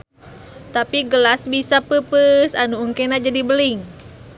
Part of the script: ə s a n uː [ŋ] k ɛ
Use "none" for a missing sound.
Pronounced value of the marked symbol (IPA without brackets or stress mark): ŋ